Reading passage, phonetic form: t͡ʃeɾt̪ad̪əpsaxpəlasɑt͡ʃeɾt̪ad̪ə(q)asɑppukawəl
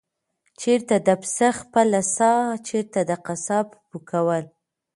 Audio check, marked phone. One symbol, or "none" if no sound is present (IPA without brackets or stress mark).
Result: q